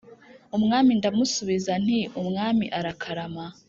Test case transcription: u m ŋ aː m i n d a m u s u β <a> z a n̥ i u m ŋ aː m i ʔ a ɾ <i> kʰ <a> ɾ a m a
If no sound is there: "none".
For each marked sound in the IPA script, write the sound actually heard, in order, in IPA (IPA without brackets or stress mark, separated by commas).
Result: i, a, a